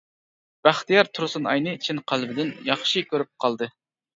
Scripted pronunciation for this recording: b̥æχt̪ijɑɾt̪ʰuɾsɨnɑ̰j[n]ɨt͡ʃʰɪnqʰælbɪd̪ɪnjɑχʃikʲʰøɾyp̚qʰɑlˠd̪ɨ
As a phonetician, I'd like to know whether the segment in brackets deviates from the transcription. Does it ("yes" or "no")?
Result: no